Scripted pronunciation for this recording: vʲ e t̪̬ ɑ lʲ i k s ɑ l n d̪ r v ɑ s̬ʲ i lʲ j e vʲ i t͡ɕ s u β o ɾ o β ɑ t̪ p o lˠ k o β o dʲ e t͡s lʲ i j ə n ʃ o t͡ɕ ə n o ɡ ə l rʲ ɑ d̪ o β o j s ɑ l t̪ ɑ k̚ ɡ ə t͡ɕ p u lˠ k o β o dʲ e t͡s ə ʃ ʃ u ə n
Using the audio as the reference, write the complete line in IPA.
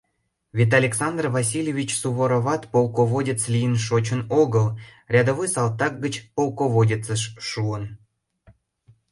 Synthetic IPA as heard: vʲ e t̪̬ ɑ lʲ e k s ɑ n d̪ r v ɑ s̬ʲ i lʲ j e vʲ i t͡ɕ s u β o ɾ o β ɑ t̪ p o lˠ k o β o dʲ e t͡s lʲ i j ə n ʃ o t͡ɕ ə n o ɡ ə l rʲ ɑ d̪ o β o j s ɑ l t̪ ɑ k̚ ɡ ə t͡ɕ p o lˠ k o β o dʲ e t͡s ə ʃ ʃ u ə n